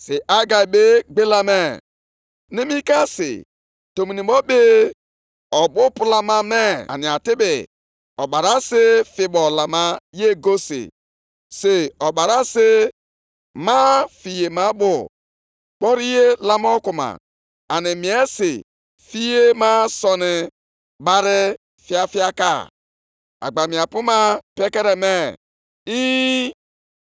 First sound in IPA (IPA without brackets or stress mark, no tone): s